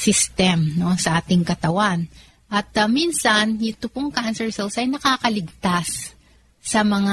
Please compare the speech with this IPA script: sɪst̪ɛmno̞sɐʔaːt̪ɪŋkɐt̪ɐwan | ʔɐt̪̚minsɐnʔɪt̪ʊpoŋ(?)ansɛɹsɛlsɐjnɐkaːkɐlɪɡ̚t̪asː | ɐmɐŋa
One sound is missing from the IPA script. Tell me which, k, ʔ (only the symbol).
k